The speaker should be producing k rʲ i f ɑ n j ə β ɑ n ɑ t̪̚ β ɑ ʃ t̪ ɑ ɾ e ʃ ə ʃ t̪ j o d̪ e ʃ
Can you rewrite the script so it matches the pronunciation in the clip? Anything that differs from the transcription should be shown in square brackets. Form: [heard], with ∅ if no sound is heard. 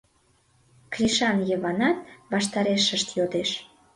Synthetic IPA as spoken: k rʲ i [ʃ] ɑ n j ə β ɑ n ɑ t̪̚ β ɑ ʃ t̪ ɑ ɾ e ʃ ə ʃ t̪ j o d̪ e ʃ

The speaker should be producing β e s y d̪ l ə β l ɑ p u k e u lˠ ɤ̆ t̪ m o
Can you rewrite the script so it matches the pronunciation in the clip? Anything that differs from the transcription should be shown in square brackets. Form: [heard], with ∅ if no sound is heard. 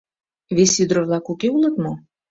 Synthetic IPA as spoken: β e s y d̪ [ɾ] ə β l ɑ [k] u k e u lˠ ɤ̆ t̪ m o

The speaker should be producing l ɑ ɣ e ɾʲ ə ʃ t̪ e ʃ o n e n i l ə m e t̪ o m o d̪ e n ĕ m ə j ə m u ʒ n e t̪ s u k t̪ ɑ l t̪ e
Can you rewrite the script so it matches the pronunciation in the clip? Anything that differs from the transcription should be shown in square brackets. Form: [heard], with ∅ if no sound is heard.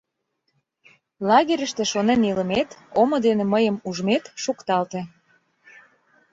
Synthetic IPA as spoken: l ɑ ɣ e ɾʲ ə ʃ t̪ e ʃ o n e n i l ə m e t̪ o m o d̪ e n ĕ m ə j ə m u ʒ [m] e t̪ [ʃ] u k t̪ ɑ l t̪ e

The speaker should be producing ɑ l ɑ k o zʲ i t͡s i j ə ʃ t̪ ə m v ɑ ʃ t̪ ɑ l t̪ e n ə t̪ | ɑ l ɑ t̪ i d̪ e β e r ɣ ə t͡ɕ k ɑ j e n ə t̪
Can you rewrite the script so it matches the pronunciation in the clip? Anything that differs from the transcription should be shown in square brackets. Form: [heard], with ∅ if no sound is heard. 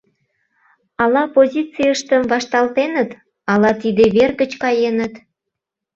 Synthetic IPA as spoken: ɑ l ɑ [p] o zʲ i t͡s i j ə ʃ t̪ ə m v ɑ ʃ t̪ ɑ l t̪ e n ə t̪ | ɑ l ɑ t̪ i d̪ e β e r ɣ ə t͡ɕ k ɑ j e n ə t̪

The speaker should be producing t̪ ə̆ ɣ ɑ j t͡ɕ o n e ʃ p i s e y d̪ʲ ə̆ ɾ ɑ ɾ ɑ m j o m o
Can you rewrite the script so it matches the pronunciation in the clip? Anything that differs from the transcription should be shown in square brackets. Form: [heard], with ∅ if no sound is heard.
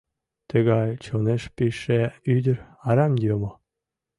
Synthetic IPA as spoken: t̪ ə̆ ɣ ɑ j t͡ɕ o n e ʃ p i [ʃ] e y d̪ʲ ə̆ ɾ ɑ ɾ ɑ m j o m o

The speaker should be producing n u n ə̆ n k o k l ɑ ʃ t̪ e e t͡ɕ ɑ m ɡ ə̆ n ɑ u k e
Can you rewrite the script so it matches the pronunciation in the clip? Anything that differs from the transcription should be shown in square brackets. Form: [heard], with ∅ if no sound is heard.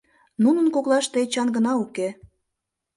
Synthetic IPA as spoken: n u n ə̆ n k o k l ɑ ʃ t̪ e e t͡ɕ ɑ [n] ɡ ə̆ n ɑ u k e

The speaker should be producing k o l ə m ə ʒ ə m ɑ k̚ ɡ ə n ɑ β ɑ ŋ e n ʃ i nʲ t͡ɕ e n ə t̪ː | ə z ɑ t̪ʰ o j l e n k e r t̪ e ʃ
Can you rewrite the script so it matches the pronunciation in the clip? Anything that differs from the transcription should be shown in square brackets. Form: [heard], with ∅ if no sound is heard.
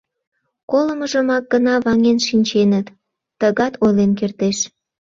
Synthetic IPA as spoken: k o l ə m ə ʒ ə m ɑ k̚ ɡ ə n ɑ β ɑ ŋ e n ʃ i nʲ t͡ɕ e n ə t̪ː | ə [ɣ] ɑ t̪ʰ o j l e n k e r t̪ e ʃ

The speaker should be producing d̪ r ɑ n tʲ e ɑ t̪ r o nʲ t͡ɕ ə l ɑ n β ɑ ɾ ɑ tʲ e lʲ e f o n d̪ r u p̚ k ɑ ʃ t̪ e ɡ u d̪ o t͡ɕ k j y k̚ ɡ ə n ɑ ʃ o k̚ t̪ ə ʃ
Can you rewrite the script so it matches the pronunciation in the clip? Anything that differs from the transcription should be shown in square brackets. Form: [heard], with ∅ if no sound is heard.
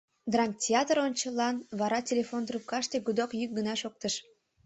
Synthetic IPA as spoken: d̪ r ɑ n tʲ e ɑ t̪ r o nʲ t͡ɕ ə l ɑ n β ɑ ɾ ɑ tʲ e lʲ e f o n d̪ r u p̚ k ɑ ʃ t̪ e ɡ u d̪ o [∅] k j y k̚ ɡ ə n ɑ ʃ o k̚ t̪ ə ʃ

